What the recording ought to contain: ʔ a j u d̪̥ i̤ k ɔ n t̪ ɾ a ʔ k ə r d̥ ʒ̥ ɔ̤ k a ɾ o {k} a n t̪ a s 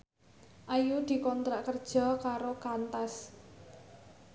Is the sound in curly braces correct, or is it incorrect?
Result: correct